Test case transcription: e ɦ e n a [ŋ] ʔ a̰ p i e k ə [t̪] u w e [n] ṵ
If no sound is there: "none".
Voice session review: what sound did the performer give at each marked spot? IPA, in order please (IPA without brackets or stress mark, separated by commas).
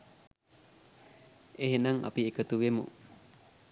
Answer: ŋ, t̪, m